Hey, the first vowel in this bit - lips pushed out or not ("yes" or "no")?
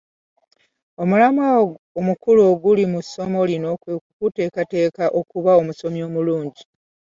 yes